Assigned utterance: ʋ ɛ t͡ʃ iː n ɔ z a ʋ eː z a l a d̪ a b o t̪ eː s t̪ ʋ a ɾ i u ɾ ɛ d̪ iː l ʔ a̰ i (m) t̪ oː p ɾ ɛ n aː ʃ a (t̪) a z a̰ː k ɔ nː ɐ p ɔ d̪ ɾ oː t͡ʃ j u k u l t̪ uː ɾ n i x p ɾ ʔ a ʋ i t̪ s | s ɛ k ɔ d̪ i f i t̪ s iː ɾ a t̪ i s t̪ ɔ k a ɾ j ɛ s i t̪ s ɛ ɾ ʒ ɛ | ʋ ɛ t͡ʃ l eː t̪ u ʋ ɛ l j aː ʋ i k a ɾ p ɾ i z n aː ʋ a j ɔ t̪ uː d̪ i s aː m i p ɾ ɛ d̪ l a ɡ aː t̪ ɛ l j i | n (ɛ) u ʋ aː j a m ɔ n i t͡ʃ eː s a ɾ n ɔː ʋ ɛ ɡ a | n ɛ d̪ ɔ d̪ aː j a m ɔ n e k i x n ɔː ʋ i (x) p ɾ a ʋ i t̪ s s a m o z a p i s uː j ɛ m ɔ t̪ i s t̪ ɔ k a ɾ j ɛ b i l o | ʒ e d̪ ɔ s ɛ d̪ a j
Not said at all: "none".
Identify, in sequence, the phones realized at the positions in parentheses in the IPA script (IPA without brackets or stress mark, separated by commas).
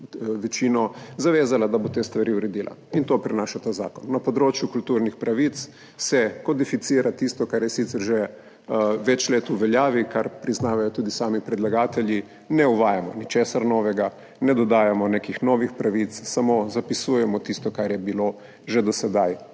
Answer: n, t̪, ɛ, x